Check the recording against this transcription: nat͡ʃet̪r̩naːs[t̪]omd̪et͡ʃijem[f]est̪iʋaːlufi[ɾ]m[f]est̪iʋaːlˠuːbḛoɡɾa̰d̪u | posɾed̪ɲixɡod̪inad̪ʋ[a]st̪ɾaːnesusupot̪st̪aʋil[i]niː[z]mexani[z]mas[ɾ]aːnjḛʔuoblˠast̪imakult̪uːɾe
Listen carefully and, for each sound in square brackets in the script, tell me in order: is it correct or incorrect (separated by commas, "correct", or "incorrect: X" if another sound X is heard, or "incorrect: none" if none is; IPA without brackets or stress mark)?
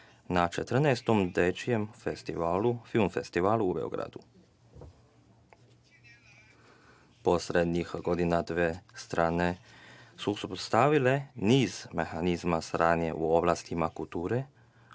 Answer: correct, correct, incorrect: l, correct, incorrect: e, incorrect: e, correct, correct, correct